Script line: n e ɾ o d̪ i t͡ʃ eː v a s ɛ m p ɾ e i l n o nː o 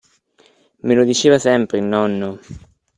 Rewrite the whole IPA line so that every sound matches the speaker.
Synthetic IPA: m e l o d̪ i t͡ʃ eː v a s ɛ m p ɾ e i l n ɔ nː o